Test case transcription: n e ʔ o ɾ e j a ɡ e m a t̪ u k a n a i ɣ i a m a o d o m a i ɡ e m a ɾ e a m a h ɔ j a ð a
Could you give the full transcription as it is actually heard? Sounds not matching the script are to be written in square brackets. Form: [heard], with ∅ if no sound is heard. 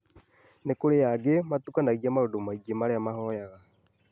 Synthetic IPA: n e [k] o ɾ e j a ɡ e m a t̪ u k a n a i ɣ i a m a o d o m a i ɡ e m a ɾ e a m a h ɔ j a [ɣ] a